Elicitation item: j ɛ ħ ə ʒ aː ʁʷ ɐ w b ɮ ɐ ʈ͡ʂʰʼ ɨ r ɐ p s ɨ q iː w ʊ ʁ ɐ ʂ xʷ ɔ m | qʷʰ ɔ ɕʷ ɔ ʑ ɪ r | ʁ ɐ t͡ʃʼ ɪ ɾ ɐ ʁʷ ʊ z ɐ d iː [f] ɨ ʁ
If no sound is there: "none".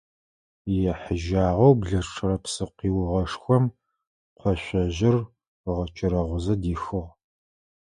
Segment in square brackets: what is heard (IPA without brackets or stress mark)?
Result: x